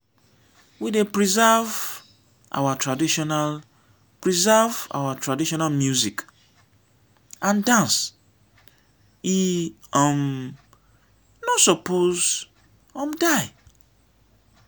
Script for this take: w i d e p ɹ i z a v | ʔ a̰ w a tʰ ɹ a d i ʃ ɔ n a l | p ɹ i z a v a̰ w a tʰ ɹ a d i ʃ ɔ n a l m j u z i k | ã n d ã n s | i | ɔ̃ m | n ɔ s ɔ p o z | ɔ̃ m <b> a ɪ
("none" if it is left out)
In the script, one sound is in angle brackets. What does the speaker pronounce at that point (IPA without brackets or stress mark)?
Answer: d